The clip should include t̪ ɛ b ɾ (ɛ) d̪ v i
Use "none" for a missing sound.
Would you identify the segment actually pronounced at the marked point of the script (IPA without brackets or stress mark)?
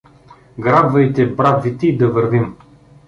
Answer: a